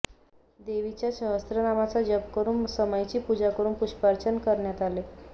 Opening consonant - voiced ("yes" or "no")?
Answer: yes